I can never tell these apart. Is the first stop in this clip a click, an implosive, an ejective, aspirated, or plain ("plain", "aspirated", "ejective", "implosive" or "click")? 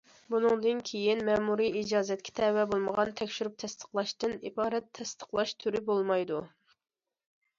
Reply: plain